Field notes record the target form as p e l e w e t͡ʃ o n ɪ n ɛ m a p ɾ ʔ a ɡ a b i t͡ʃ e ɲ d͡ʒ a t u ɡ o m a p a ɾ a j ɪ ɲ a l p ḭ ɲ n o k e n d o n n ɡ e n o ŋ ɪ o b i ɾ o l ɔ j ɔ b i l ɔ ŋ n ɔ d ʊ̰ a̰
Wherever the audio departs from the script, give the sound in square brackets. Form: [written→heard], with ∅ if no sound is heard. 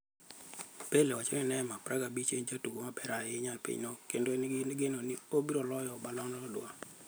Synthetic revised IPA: p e l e w [e→a] t͡ʃ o n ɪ n ɛ m a p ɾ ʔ a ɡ a b i t͡ʃ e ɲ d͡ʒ a t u ɡ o m a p [a→ɛ] ɾ a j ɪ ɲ a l p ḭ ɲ n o k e n d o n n ɡ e n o [ŋ→n] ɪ o b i ɾ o l ɔ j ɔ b [i→a] l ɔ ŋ n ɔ d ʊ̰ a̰